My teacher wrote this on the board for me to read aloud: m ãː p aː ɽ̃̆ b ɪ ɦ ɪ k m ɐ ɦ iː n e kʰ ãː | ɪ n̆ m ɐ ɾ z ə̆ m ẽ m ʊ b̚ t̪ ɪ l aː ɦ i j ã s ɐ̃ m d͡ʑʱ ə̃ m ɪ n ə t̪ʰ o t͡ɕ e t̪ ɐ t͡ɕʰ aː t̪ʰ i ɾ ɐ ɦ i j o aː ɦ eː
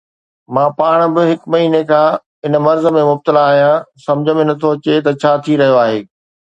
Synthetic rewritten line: m ãː p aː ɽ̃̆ b ɪ ɦ ɪ k m ɐ ɦ iː n e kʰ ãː | ɪ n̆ m ɐ ɾ z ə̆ m ẽ m ʊ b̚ t̪ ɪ l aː ɦ i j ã s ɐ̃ m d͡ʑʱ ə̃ m ɪ n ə t̪ʰ o t͡ɕ e t̪ ɐ t͡ɕʰ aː t̪ʰ i ɾ ɐ ɦ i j o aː ɦ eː